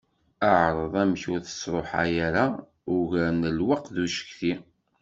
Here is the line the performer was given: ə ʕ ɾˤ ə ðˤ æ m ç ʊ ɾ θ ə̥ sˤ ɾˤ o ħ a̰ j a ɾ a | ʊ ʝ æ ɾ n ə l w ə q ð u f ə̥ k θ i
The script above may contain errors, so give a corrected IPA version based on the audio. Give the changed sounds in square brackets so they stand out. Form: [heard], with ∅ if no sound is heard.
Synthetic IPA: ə ʕ ɾˤ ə ðˤ æ m ç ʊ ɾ θ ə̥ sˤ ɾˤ o ħ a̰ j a ɾ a | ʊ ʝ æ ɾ n ə l w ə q ð u [ʃ] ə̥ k θ i